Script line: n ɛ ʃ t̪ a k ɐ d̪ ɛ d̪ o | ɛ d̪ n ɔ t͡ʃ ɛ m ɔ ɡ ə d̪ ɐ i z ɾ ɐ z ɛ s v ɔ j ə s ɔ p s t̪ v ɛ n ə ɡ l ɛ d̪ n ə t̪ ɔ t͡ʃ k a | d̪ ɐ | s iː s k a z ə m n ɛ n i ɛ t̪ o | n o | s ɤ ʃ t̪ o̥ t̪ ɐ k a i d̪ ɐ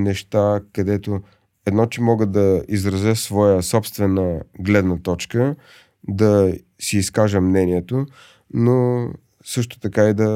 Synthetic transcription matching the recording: n ɛ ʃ t̪ a k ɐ d̪ ɛ t̪ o | ɛ d̪ n ɔ t͡ʃ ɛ m ɔ ɡ ə d̪ ɐ i z ɾ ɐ z ɛ s v ɔ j ə s ɔ p s t̪ v ɛ n ə ɡ l ɛ d̪ n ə t̪ ɔ t͡ʃ k ə | d̪ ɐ | s iː s k a ʒ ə m n ɛ n i ɛ t̪ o | n o | s ɤ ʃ t̪ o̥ t̪ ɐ k a i d̪ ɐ